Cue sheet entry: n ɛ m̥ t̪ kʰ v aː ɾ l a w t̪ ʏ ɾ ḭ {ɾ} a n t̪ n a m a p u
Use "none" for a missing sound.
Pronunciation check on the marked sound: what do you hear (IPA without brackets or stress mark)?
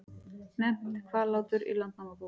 l